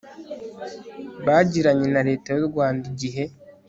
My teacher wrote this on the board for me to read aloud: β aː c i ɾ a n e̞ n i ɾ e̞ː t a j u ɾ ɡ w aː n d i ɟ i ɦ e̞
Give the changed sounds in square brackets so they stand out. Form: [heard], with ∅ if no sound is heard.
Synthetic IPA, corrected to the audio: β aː [ɟ] i ɾ a [ɲ] e̞ n [a] ɾ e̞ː t a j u ɾ ɡ w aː n d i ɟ i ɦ e̞